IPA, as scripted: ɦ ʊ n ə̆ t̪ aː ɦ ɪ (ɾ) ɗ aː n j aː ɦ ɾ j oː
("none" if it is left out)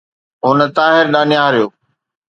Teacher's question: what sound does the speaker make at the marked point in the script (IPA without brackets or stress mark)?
ɾ